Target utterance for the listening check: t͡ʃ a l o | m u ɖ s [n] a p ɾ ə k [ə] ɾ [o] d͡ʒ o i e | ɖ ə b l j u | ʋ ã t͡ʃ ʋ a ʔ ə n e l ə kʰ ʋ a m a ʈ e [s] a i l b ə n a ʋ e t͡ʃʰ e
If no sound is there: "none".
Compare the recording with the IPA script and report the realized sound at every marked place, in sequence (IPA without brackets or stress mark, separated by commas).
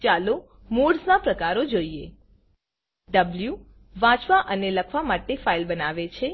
n, a, o, f